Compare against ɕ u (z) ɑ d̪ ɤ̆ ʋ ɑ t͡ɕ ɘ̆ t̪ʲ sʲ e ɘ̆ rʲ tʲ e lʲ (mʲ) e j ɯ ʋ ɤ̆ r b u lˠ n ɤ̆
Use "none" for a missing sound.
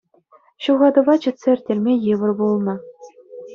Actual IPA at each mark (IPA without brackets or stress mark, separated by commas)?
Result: ʁ, mʲ